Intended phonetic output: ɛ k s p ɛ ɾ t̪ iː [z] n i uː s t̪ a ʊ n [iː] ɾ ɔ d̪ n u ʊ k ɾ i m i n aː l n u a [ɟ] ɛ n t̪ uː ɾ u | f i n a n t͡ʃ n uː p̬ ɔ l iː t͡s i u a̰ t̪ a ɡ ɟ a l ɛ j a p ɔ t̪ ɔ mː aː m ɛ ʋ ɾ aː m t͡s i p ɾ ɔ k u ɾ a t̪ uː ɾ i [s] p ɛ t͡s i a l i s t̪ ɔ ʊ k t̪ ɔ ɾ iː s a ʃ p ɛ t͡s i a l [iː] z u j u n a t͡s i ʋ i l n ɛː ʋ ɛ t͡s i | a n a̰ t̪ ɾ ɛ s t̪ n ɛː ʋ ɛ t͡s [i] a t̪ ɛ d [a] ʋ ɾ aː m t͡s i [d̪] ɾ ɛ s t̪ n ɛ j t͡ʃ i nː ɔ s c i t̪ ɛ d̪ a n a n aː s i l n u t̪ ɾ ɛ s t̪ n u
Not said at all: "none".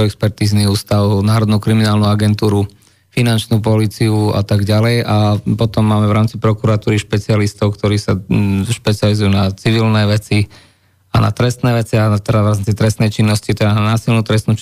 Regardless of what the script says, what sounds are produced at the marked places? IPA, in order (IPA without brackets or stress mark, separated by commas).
z, aː, ɡ, ʃ, i, i, a, t̪